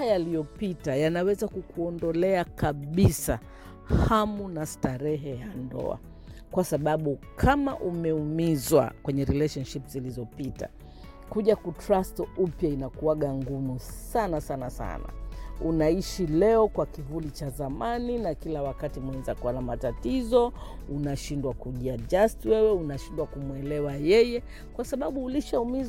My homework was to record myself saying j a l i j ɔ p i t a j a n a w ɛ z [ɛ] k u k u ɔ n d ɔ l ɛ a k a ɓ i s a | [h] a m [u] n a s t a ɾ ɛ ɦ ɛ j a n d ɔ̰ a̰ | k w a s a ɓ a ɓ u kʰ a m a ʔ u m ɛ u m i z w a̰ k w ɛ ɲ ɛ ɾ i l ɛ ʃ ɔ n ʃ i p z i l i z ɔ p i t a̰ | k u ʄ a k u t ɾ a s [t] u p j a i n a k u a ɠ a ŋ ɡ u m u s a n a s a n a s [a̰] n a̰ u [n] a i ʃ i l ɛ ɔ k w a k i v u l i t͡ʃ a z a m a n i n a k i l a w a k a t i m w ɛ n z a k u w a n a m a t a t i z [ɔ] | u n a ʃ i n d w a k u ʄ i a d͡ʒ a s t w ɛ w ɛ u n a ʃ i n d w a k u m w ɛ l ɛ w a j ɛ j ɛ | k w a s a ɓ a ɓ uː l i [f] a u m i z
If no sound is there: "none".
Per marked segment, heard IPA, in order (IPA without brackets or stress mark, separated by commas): a, h, u, t, a̰, n, ɔ, ʃ